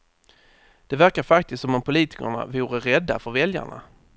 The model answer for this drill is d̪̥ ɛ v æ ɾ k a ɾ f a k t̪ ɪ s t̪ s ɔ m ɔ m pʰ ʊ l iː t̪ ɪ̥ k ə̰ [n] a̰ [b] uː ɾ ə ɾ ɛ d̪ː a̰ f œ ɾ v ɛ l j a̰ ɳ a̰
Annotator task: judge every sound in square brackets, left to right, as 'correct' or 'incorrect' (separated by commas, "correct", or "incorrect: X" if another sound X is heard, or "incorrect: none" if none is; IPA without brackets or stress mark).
incorrect: ɳ, incorrect: v